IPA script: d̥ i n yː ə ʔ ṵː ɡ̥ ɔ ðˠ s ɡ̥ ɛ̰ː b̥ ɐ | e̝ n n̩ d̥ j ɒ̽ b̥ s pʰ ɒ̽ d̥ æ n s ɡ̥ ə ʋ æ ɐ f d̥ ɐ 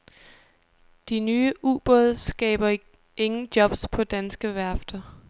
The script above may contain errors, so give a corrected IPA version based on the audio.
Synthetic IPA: d̥ i n yː ə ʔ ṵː b̥ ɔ ðˠ s ɡ̥ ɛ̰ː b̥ ɐ | e̝ ŋ n̩ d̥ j ɒ̽ b̥ s pʰ ɒ̽ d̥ æ n s ɡ̥ ə ʋ æ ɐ f d̥ ɐ